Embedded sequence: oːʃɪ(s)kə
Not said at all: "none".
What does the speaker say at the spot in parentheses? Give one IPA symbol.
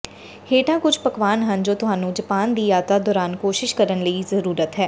ʃ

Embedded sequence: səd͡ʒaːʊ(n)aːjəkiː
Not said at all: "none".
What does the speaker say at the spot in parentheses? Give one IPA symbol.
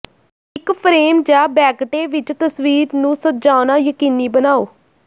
n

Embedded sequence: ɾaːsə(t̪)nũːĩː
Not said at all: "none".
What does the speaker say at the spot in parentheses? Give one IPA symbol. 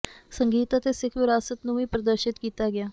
t̪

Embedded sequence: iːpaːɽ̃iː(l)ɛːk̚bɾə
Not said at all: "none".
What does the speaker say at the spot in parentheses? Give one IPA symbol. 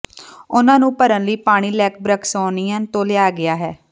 l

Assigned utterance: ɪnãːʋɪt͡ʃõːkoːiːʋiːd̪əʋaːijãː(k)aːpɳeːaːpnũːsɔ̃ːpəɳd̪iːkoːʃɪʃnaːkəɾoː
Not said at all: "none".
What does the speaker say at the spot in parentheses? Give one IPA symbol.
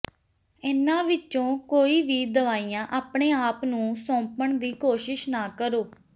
ʔ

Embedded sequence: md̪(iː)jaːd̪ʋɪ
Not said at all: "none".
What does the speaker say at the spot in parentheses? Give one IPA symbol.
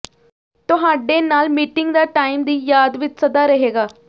iː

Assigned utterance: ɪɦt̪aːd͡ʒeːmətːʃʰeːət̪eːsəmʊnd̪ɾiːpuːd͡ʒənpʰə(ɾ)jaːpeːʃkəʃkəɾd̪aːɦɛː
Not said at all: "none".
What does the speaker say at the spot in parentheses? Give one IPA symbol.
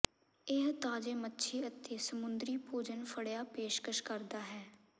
ɽ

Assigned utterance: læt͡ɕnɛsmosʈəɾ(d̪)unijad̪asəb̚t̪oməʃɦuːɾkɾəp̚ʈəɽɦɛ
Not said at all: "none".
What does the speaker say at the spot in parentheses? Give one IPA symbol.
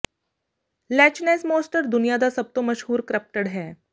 d̪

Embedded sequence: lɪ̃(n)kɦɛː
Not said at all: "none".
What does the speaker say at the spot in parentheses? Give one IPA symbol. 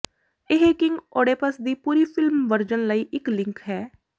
ŋ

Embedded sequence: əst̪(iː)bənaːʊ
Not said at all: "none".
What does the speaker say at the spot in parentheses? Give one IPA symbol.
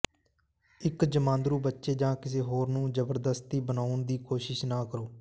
iː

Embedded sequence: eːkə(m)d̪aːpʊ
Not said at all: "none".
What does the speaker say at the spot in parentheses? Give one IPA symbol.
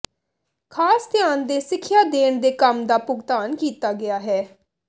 m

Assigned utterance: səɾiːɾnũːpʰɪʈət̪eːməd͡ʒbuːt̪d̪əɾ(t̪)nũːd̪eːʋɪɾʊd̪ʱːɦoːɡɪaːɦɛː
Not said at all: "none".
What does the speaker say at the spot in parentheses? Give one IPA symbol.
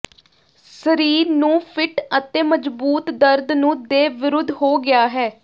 d̪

